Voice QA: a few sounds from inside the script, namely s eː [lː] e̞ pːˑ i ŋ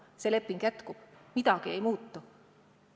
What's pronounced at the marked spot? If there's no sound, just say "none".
l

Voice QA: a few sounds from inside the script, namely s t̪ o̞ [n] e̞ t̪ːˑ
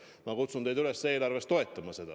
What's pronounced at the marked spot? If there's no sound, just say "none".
none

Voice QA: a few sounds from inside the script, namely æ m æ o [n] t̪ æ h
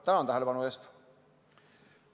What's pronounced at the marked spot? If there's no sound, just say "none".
n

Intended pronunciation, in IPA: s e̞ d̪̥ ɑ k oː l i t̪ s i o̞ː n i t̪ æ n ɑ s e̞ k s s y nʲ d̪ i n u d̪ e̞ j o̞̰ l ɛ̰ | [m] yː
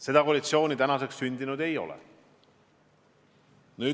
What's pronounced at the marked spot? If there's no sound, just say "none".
n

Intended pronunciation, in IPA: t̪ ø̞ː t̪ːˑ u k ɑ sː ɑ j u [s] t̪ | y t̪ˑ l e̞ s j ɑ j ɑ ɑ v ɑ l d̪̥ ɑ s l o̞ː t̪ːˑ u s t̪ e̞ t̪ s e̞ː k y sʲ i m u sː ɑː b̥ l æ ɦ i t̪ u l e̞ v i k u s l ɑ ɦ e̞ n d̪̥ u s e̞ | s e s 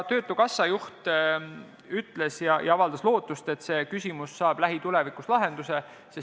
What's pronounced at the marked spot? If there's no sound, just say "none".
h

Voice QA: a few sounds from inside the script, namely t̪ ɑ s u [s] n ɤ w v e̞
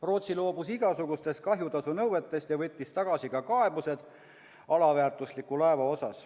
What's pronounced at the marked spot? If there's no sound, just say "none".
none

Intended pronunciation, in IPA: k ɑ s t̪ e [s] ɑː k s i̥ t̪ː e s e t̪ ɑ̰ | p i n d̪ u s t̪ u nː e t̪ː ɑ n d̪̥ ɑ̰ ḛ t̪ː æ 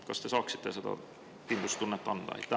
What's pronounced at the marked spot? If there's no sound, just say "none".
s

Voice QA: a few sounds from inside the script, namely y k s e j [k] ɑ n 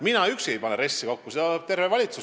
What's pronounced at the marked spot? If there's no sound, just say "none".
p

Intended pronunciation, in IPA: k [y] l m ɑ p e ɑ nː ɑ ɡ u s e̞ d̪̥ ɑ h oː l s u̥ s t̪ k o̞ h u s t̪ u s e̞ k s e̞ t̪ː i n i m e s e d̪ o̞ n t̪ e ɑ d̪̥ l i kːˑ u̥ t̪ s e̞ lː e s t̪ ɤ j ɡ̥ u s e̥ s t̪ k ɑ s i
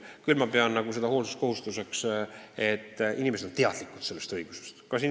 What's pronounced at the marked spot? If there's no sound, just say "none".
y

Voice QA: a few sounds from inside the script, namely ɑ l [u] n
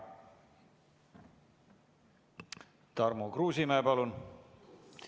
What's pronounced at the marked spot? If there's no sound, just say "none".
u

